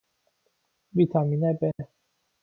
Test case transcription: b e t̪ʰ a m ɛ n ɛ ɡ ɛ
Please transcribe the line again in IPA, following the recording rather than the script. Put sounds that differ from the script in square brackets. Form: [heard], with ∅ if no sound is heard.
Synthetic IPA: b [i] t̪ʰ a m [i] n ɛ [b] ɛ